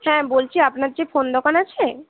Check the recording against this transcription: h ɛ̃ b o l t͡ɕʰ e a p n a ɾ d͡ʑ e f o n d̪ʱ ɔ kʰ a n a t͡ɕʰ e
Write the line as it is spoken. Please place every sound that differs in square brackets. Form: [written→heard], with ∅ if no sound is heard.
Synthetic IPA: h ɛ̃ b o l t͡ɕʰ [e→i] a p n a ɾ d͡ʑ e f o n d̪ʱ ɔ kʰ a n a t͡ɕʰ e